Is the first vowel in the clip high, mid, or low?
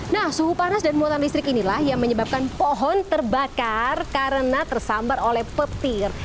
low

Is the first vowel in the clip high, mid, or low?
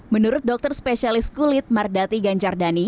mid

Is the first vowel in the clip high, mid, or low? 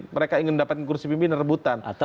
mid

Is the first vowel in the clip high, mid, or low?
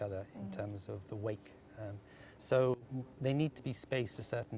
mid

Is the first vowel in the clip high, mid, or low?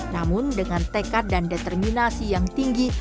low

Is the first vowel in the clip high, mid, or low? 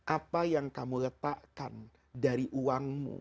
low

